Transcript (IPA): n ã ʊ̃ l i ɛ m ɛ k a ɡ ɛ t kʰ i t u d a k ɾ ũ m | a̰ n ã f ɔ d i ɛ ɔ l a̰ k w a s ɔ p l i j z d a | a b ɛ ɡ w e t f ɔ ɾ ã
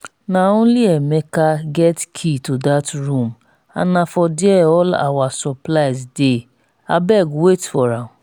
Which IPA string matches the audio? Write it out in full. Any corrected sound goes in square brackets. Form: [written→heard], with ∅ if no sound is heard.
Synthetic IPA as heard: n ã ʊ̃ l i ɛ m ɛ k a ɡ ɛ t kʰ i t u d a [k→t] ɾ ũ m | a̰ n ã f ɔ d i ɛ ɔ l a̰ [k→∅] w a s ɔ p l [i→a] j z d [a→e] | a b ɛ ɡ w e t f ɔ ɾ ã